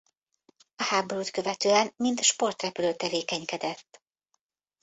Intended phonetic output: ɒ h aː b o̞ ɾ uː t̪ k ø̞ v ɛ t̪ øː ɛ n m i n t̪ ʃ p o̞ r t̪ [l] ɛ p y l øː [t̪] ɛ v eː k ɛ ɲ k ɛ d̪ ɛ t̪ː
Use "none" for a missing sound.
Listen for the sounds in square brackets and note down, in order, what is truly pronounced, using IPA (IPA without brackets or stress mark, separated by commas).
r, t̪